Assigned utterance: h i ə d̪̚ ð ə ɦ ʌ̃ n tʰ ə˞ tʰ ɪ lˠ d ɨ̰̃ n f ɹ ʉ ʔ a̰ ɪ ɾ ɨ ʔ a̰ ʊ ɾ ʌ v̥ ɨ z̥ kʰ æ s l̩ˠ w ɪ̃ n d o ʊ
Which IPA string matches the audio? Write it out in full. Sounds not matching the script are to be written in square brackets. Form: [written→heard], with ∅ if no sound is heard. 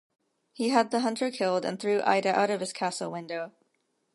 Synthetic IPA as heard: h i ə d̪̚ ð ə ɦ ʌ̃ n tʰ ə˞ [tʰ→kʰ] ɪ lˠ d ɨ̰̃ n [f→θ] ɹ ʉ ʔ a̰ ɪ ɾ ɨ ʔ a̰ ʊ ɾ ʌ v̥ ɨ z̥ kʰ æ s l̩ˠ w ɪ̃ n d o ʊ